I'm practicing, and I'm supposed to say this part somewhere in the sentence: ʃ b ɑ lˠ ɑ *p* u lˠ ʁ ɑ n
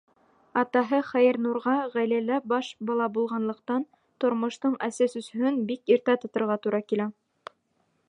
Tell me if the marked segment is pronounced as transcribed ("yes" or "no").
no